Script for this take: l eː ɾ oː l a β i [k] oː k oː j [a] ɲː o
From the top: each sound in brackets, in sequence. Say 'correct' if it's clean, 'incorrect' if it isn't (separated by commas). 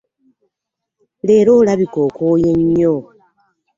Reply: correct, incorrect